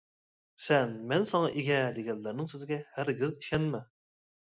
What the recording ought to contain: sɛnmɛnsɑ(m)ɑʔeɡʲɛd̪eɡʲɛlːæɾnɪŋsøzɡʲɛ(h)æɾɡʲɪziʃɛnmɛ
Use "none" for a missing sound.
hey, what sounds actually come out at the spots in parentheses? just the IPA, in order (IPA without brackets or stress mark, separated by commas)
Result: ŋ, h